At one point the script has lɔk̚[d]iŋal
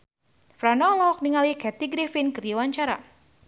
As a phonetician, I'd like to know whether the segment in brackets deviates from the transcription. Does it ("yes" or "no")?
yes